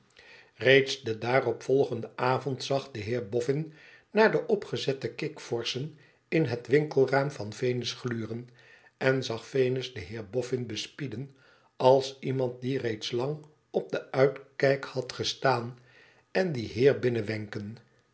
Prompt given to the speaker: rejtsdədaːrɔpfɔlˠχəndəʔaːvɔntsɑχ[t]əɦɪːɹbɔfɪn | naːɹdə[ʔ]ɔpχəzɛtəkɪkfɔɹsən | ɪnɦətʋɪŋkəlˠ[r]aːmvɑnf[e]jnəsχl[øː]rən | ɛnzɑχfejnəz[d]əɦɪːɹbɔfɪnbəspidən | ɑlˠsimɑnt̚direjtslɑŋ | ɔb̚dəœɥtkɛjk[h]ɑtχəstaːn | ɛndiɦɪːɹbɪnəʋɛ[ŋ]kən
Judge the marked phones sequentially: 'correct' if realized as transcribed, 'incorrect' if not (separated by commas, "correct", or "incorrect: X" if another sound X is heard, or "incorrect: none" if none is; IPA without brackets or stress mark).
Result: incorrect: d, correct, correct, correct, incorrect: yː, correct, correct, correct